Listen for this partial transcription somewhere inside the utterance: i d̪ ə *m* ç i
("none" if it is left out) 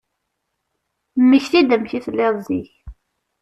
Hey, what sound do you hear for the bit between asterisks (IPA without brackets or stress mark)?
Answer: m